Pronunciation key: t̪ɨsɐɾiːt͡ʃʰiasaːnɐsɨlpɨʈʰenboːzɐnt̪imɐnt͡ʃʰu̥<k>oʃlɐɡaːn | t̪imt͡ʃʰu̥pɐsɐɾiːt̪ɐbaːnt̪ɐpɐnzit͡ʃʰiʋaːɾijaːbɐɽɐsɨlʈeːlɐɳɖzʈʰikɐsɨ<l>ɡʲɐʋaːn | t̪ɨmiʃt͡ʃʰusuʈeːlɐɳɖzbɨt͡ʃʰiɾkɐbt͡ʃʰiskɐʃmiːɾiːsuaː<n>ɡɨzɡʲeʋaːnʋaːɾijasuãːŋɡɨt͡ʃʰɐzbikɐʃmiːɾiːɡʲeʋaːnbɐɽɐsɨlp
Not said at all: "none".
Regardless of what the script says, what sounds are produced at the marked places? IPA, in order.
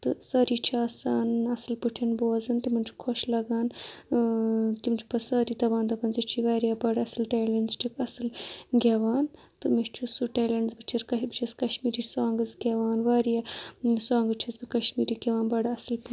kʰ, l, ŋ

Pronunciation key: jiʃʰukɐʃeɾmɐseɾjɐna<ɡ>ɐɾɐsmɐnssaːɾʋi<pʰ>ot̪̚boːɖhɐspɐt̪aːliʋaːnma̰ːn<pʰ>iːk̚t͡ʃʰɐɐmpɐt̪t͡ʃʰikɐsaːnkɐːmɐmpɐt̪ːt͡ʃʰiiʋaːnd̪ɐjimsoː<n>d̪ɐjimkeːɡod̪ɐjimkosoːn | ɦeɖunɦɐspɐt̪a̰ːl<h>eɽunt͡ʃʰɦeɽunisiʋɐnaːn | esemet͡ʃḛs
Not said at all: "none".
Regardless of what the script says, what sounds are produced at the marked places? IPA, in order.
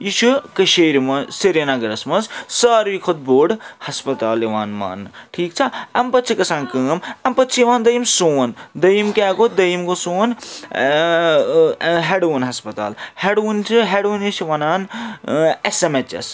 ɡ, kʰ, ʈʰ, n, h

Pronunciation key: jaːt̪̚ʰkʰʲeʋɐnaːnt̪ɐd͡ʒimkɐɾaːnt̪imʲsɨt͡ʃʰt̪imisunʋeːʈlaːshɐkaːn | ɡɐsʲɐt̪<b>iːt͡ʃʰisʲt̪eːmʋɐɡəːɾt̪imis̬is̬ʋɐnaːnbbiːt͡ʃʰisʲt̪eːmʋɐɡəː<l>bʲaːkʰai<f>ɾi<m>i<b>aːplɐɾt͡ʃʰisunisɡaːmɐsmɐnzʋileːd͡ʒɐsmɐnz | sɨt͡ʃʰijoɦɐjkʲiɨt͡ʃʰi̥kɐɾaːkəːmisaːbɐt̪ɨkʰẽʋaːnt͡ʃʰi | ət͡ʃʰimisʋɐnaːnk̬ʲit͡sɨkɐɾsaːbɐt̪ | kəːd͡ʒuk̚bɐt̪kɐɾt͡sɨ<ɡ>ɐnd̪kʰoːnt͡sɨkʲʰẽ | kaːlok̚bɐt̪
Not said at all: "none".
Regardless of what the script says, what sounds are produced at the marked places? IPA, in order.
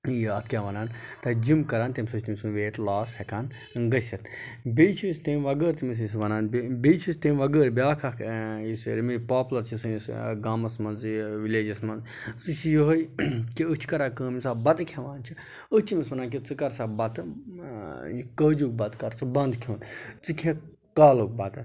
b, ɾ, s, m, p, b

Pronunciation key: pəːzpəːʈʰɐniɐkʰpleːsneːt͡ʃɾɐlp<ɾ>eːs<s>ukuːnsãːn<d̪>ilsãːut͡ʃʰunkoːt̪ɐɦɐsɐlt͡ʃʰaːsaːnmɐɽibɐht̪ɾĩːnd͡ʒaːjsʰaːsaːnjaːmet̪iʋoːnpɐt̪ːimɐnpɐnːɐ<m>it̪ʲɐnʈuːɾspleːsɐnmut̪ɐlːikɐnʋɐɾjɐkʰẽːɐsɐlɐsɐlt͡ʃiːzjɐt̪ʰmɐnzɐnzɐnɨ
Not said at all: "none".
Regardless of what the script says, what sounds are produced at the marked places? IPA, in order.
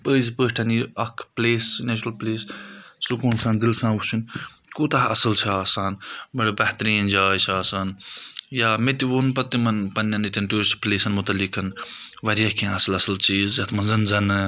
l, s, d̪, n

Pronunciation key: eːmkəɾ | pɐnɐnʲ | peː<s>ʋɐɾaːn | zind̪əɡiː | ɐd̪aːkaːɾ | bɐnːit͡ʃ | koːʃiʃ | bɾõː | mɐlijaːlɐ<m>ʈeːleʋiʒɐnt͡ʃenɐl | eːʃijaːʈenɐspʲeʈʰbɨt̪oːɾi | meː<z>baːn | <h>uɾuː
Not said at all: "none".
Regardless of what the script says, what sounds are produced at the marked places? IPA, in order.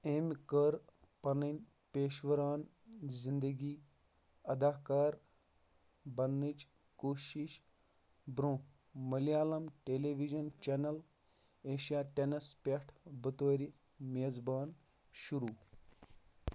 ʃ, m, z, ʃ

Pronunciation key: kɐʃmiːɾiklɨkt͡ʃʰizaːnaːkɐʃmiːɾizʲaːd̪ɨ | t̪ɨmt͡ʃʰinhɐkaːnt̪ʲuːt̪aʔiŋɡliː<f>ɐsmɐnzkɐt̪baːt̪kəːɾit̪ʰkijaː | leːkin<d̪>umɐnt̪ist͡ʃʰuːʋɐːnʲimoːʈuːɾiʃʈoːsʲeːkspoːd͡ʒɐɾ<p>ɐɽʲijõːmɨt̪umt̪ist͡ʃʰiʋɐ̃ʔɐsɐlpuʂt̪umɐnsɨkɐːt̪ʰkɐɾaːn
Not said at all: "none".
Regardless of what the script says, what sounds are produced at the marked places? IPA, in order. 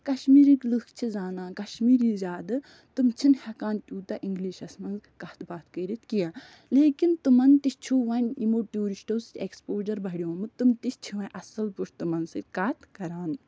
ʃ, t̪, b

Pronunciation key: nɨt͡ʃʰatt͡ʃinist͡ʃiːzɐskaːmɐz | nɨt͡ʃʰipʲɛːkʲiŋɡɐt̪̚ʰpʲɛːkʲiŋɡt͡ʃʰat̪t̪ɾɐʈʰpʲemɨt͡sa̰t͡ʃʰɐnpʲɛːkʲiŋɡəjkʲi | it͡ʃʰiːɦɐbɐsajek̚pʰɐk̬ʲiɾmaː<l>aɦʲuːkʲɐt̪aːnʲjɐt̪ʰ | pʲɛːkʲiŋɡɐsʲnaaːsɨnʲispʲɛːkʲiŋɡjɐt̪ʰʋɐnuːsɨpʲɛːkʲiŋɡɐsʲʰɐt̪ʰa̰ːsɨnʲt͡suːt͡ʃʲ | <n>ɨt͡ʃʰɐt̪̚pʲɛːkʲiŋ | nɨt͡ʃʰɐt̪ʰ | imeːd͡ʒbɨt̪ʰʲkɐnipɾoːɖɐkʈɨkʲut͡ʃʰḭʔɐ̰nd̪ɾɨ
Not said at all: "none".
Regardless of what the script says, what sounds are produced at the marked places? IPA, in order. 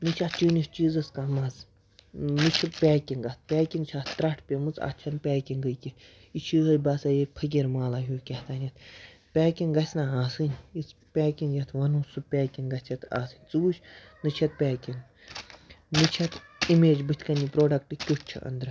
l, n

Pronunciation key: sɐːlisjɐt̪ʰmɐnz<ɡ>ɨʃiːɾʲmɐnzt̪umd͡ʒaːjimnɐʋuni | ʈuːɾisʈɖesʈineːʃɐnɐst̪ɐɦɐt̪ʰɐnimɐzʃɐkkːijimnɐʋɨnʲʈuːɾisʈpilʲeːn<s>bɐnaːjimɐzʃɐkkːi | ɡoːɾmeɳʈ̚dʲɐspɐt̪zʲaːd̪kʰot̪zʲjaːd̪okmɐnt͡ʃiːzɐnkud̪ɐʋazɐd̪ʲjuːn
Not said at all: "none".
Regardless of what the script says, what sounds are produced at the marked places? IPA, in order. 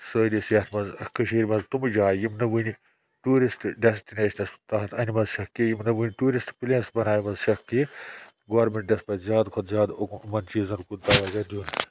k, s

